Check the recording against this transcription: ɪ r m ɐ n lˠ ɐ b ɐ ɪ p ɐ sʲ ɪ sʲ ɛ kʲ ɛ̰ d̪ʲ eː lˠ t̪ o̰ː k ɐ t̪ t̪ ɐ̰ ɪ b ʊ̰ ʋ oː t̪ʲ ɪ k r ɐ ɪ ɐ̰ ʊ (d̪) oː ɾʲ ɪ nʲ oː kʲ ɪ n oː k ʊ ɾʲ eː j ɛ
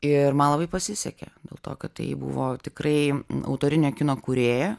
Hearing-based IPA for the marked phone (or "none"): t̪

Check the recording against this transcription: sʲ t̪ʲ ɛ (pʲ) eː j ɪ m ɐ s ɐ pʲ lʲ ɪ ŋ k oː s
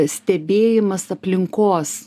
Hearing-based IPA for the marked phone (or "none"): bʲ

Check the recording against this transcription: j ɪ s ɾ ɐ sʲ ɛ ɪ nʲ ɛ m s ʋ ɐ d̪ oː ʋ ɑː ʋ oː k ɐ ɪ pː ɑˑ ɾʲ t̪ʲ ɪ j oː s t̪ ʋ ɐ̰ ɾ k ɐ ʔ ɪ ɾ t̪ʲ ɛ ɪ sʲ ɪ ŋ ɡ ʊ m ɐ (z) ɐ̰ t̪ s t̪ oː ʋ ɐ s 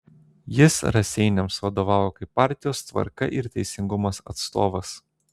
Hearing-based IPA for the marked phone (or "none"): s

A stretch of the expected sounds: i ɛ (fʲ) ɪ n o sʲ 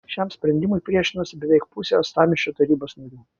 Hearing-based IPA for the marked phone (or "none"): ʃʲ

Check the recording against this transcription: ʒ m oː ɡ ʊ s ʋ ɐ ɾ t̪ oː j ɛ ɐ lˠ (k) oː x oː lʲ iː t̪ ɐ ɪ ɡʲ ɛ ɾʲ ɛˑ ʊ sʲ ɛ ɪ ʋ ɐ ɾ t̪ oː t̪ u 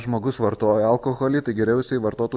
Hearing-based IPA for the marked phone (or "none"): k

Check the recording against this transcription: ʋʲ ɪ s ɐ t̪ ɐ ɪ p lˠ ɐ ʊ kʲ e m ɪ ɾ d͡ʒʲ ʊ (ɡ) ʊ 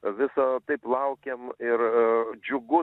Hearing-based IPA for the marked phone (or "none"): ɡ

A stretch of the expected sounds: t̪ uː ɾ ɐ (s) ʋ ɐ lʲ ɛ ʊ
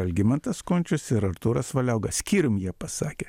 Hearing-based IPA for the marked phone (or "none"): s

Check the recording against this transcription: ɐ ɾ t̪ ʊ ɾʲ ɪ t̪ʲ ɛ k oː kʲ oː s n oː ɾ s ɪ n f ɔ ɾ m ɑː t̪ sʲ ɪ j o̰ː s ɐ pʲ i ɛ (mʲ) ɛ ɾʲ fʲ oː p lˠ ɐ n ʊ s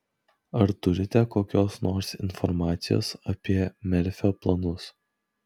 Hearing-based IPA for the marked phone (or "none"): mʲ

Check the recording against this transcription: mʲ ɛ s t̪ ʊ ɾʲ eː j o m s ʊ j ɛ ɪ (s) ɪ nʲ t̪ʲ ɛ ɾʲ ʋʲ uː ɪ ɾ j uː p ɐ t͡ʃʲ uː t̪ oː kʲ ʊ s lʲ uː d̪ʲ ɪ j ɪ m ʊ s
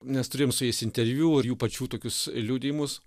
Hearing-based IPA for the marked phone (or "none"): s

